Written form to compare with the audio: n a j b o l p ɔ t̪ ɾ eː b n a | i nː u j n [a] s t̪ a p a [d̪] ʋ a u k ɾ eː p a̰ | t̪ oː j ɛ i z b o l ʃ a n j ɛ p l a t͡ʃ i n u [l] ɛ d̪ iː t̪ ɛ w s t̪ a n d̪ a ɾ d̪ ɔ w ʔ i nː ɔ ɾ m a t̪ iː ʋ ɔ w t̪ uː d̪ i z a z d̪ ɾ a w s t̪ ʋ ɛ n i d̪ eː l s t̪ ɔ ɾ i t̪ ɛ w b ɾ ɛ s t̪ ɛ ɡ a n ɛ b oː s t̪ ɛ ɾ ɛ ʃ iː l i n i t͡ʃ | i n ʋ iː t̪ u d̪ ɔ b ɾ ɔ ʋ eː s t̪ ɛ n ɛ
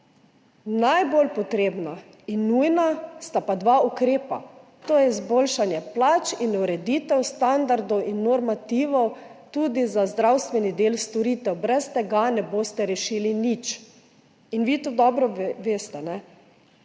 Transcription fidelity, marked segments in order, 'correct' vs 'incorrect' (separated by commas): correct, correct, incorrect